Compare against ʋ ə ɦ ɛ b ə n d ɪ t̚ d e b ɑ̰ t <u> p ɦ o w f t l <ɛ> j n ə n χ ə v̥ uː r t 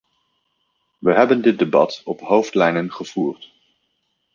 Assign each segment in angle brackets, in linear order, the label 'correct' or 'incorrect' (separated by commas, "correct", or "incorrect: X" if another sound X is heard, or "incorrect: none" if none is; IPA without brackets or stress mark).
incorrect: ɔ, correct